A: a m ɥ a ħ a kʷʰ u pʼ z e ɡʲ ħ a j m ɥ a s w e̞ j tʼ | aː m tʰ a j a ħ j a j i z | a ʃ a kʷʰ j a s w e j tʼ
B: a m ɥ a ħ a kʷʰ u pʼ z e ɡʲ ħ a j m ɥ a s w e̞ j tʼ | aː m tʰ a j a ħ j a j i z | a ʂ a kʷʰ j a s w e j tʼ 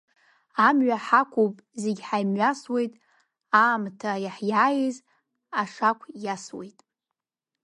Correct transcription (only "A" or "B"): B